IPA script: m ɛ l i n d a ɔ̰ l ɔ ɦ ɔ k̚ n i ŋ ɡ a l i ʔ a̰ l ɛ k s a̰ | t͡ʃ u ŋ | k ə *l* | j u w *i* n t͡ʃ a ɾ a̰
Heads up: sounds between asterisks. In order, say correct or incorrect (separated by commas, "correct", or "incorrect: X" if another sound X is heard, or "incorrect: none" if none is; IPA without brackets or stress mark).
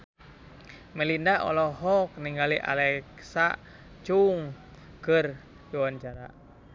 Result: incorrect: r, incorrect: a